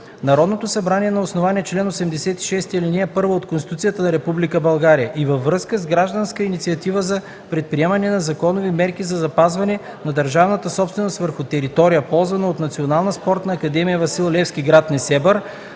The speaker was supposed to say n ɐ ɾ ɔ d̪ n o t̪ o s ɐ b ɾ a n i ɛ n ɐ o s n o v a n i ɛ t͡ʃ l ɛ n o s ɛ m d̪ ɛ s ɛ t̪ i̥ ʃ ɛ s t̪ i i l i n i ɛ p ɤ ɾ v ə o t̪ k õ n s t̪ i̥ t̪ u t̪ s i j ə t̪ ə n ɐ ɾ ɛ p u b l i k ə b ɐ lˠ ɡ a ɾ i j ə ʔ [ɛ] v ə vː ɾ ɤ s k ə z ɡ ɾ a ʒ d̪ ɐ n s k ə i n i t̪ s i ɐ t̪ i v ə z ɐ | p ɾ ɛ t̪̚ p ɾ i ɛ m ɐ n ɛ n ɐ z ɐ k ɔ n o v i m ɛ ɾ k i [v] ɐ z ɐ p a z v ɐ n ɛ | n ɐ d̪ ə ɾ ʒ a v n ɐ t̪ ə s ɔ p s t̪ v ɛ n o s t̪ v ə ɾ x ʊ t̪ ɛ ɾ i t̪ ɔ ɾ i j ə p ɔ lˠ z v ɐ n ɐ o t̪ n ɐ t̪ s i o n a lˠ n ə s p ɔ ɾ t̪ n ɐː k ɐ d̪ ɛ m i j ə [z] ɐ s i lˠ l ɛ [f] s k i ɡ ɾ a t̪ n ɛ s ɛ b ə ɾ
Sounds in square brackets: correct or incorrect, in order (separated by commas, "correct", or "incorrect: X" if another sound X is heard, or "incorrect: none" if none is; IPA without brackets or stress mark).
incorrect: i, incorrect: z, incorrect: v, correct